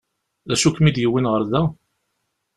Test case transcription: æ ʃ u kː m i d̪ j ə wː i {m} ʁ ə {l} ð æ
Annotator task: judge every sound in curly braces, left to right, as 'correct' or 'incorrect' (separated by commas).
incorrect, incorrect